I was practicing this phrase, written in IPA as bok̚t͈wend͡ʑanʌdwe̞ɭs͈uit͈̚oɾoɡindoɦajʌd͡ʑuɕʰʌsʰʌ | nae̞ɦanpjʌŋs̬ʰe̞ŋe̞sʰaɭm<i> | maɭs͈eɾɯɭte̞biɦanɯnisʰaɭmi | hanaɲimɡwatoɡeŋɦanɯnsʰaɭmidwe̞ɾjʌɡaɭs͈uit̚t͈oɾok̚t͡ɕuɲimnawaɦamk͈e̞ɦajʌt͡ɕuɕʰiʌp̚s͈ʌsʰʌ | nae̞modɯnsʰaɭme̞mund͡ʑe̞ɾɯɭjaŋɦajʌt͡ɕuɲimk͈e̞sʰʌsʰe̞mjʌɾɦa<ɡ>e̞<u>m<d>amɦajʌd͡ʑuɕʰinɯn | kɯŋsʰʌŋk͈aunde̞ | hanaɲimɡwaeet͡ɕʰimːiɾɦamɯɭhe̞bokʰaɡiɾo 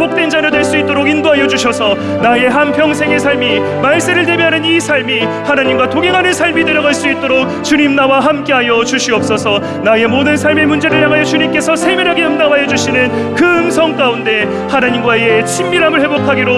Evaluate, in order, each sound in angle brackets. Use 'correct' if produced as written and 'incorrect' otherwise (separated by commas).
correct, correct, incorrect, correct